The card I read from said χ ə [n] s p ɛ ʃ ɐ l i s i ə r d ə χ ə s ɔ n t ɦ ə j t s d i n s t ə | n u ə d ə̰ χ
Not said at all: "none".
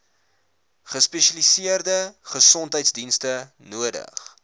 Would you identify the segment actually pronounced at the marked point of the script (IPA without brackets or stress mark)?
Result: none